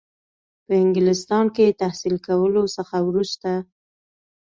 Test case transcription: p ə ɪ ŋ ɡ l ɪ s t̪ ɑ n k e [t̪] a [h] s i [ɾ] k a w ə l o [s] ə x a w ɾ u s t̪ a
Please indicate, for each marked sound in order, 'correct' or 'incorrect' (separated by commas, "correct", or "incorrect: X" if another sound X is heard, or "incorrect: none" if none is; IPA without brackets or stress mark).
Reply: correct, correct, incorrect: l, correct